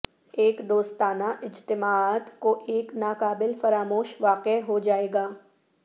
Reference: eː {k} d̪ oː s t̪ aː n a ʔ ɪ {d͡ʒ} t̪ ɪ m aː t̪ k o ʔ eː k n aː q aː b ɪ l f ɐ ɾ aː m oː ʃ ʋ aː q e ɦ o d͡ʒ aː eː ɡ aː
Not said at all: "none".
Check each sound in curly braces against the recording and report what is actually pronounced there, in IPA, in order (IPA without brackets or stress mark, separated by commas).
k, d͡ʒ